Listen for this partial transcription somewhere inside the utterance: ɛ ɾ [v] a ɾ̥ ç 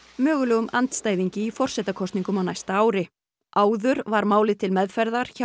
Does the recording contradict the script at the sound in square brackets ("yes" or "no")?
yes